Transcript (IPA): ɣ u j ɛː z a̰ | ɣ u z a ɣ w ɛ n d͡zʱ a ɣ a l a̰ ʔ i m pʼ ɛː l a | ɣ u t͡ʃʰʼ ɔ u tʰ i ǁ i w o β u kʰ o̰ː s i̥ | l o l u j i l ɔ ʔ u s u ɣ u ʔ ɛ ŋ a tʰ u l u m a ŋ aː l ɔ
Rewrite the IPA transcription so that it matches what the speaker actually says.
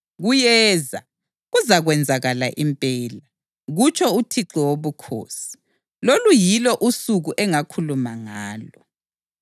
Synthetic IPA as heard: ɣ u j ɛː z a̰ | ɣ u z a ɣ w ɛ n d͡zʱ a ɣ a l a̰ ʔ i m pʼ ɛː l a | ɣ u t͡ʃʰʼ ɔ u tʰ i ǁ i w o β u kʰ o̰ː s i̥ | l o l u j i l ɔ ʔ u s u ɣ u ʔ ɛ ŋ a kʰ u l u m a ŋ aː l ɔ